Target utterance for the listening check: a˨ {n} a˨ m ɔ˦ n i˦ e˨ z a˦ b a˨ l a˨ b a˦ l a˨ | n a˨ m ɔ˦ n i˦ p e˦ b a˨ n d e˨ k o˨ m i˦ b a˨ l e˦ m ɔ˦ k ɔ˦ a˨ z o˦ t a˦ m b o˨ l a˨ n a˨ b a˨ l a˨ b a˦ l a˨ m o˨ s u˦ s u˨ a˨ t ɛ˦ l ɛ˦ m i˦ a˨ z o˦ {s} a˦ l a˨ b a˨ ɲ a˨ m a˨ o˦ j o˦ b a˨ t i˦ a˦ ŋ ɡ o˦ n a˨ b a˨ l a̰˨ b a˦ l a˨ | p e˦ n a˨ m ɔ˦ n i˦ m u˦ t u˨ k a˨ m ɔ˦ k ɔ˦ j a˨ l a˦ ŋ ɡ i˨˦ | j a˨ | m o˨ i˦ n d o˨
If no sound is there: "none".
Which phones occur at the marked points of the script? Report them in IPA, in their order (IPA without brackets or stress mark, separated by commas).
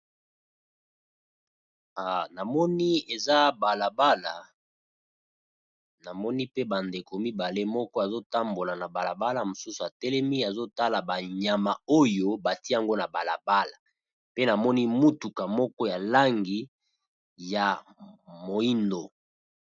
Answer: n, t